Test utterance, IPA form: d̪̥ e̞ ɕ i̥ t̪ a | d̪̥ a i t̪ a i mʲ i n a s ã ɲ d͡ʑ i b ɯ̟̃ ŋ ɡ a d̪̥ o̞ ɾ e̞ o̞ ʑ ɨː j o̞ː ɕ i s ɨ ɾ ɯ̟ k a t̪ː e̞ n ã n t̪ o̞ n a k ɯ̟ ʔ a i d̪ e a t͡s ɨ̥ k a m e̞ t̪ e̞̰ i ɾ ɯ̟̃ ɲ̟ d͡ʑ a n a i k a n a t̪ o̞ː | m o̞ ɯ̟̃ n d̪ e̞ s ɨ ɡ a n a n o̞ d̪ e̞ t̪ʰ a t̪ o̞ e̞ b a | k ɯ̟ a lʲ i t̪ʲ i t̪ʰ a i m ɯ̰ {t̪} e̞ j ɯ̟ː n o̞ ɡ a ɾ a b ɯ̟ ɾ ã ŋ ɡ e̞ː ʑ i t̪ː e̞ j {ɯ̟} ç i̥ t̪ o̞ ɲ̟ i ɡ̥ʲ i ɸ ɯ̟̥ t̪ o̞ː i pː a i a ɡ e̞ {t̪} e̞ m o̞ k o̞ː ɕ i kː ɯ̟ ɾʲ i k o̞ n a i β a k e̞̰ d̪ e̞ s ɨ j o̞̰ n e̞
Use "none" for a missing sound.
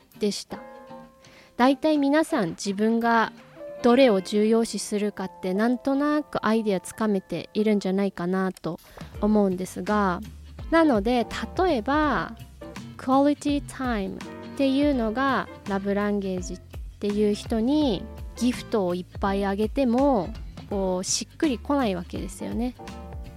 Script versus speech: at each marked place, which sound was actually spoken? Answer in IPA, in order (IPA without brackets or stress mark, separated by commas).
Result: t̪, ɯ̟ː, t̪